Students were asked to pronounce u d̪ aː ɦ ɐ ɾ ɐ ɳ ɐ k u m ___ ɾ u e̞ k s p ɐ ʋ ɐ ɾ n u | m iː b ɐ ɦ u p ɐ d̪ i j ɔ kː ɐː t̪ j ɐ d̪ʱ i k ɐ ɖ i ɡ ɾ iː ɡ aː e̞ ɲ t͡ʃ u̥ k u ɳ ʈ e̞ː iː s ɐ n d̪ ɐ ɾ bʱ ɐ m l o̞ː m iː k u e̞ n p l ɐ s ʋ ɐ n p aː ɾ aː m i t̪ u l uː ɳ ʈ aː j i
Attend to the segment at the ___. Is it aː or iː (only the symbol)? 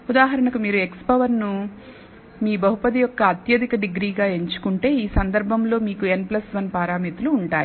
iː